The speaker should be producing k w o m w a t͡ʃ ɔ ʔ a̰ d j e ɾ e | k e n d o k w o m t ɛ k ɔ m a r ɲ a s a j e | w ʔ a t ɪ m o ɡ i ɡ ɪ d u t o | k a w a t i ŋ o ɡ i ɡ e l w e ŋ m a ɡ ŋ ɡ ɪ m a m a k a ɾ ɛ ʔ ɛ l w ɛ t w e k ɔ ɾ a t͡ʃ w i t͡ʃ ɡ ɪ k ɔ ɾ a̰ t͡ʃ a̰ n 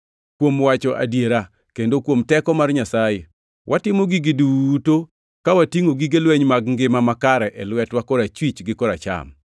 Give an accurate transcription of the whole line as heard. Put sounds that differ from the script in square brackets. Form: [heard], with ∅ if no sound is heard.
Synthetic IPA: k w o m w a t͡ʃ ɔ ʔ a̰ d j e ɾ [a] | k e n d o k w o m t ɛ k ɔ m a r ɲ a s a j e | w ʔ a t ɪ m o ɡ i ɡ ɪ d u t o | k a w a t i ŋ o ɡ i ɡ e l w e [ɲ] m a ɡ ŋ ɡ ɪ m a m a k a ɾ ɛ ʔ ɛ l w ɛ t w [a] k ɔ ɾ a t͡ʃ w i t͡ʃ ɡ ɪ k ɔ ɾ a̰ t͡ʃ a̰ [m]